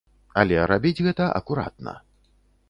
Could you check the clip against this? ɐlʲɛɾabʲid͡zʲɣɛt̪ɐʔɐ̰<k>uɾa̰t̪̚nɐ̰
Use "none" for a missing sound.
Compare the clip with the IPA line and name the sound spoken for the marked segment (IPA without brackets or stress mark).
k